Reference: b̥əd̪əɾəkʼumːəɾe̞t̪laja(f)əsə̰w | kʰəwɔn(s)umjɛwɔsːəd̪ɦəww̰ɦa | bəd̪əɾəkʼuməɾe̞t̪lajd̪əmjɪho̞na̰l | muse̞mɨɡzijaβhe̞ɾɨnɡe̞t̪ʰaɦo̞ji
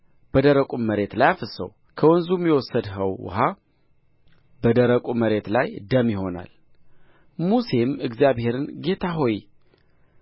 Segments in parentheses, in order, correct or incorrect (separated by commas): correct, incorrect